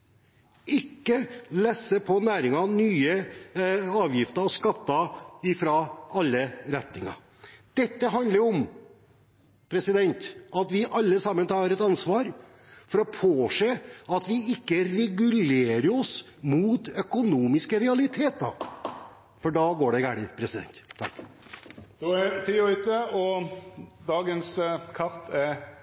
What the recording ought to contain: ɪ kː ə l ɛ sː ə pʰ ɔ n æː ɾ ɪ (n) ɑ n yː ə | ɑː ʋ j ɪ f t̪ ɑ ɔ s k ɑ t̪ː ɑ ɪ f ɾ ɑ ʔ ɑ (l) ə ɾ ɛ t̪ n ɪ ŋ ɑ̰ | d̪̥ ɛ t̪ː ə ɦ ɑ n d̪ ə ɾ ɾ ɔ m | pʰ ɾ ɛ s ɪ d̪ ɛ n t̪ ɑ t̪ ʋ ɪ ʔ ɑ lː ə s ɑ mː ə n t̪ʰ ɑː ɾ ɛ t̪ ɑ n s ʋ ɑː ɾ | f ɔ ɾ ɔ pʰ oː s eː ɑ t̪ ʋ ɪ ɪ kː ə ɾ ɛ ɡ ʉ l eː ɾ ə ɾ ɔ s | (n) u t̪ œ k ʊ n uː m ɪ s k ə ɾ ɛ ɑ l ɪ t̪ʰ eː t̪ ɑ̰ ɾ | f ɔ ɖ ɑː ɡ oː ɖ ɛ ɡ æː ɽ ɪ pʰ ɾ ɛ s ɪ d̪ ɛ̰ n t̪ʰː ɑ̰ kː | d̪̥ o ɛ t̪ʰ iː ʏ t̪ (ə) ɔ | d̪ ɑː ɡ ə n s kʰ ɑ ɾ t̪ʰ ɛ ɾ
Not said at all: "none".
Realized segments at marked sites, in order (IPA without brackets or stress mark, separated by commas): ŋ, lː, m, ə